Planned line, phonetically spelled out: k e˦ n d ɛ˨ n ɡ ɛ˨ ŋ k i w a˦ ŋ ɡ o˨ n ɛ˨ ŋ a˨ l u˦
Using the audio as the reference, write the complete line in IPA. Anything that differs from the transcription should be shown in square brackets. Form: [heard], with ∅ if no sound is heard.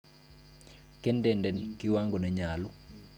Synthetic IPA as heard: k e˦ n d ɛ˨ n [d] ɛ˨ [n] k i w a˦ ŋ ɡ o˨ n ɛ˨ [ɲ] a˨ l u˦